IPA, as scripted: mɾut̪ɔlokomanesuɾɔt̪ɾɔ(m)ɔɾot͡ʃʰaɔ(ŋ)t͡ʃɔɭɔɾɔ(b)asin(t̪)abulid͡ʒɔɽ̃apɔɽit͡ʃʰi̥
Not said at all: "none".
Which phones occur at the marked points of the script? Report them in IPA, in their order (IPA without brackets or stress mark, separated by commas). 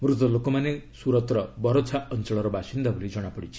b, n, b, d̪